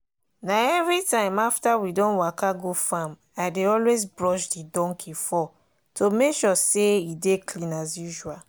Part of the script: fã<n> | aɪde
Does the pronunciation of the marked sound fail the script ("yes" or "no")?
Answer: yes